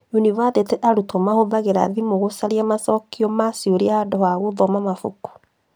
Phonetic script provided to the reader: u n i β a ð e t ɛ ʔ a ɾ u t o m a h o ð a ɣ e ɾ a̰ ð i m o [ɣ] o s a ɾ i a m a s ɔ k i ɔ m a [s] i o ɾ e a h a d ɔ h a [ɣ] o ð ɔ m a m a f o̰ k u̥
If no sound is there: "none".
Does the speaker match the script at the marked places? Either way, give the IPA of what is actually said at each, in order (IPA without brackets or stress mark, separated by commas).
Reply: ɣ, s, ɣ